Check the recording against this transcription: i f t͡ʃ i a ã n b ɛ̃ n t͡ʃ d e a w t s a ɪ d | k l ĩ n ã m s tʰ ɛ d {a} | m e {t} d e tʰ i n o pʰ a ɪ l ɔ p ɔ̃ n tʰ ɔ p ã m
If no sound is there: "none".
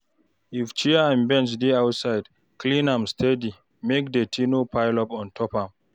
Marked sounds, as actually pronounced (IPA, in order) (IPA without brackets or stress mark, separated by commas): i, k